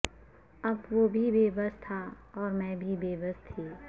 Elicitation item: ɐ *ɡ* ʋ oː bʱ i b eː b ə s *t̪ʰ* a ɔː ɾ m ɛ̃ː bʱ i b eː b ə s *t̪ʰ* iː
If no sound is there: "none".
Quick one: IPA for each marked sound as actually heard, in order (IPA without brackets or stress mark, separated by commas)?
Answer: b, t̪ʰ, t̪ʰ